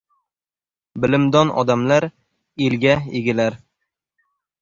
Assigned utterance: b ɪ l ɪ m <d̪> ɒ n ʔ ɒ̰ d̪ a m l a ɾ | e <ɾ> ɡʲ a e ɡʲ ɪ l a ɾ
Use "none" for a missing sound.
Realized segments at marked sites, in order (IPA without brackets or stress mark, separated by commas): d̪, l